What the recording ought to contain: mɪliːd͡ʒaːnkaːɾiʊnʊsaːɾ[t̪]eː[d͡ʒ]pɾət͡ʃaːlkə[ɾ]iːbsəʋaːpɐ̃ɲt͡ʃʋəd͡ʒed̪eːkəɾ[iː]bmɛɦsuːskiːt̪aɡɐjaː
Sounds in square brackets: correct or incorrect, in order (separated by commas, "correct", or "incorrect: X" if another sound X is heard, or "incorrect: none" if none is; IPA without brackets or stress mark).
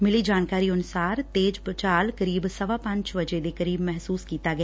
correct, correct, correct, correct